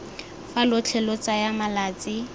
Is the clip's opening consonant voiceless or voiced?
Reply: voiceless